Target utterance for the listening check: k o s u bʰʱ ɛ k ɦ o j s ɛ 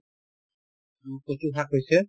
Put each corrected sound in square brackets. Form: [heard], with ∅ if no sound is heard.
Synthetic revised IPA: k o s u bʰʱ [a] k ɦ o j s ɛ